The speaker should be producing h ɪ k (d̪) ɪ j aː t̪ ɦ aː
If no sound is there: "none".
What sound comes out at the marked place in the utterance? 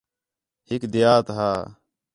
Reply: d̪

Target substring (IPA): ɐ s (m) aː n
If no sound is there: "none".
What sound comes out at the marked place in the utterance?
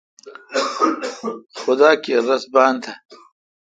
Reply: b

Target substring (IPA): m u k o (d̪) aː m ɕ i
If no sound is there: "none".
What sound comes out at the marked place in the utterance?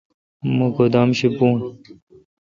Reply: d̪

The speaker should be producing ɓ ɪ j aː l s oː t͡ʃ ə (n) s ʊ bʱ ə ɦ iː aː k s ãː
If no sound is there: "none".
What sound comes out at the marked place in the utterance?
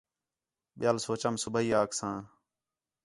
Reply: m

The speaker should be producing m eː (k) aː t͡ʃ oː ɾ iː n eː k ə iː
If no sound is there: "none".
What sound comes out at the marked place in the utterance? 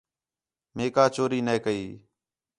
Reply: k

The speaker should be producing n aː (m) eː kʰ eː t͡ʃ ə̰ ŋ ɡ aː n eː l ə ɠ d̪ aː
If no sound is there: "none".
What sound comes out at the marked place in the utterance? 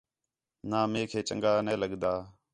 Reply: m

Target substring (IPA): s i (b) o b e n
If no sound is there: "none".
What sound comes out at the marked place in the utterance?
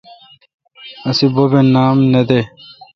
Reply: b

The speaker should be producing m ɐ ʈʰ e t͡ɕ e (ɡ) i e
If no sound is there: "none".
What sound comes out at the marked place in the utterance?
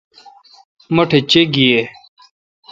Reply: ɡ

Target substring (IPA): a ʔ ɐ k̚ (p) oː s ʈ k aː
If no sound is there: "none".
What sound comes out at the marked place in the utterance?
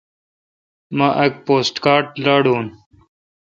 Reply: p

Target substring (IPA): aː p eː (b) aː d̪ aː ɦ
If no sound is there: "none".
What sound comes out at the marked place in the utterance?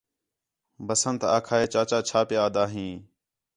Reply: none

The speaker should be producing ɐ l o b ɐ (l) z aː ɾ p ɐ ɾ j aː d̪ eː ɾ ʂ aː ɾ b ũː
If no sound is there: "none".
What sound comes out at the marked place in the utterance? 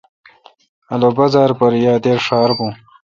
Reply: none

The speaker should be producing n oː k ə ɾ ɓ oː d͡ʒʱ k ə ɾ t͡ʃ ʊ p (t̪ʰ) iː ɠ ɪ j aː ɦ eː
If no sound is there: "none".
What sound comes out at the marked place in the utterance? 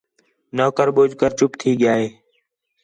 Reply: t̪ʰ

